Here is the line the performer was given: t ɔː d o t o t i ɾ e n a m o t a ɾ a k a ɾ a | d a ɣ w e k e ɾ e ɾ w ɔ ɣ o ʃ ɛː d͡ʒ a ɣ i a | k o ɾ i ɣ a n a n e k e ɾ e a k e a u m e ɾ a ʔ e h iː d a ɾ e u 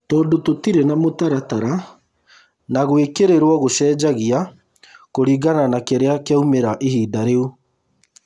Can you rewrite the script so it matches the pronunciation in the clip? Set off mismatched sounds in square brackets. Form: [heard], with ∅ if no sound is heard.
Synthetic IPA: t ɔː d o t o t i ɾ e n a m o t a ɾ a [t] a ɾ a | [n] a ɣ w e k e ɾ e ɾ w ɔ ɣ o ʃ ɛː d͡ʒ a ɣ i a | k o ɾ i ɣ a n a n [a] k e ɾ e a k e a u m e ɾ a ʔ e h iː d a ɾ e u